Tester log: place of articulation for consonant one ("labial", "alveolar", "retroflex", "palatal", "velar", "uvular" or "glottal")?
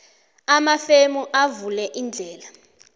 labial